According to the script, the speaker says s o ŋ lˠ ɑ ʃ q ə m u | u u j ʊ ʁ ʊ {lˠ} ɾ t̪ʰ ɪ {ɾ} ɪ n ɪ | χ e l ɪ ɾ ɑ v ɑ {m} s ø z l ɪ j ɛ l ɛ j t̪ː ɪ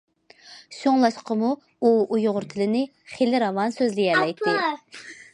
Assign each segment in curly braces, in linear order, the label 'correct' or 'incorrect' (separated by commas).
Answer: incorrect, incorrect, incorrect